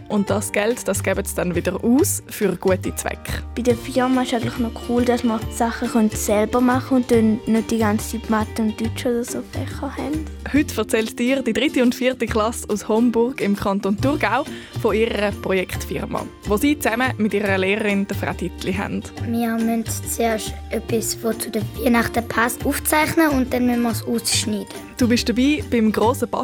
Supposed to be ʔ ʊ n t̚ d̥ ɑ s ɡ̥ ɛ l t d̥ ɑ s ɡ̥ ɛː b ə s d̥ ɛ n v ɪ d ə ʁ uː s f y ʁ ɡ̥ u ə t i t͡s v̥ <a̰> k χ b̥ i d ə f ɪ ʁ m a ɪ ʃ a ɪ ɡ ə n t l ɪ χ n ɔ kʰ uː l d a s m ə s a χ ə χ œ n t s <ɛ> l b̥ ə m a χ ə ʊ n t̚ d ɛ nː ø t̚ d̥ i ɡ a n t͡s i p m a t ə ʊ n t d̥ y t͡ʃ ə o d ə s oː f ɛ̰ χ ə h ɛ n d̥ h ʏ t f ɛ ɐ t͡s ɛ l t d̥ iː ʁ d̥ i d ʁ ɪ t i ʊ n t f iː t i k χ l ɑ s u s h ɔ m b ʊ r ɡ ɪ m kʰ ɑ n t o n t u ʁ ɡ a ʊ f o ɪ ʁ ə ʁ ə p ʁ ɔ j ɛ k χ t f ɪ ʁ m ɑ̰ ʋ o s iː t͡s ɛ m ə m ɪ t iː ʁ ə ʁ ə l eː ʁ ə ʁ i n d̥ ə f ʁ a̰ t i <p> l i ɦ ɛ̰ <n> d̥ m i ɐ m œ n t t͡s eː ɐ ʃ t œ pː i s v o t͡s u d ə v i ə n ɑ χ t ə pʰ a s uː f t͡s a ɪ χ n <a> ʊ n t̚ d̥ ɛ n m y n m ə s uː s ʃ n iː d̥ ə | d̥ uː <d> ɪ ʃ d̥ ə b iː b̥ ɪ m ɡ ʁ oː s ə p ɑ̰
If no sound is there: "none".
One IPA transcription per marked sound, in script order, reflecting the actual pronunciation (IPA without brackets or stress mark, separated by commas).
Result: ɛ̰, ɛ, t, n, ə, b